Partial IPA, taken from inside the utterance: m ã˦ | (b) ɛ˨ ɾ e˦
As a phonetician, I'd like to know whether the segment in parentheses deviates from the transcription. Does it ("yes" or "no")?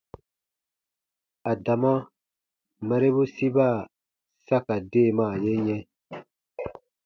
yes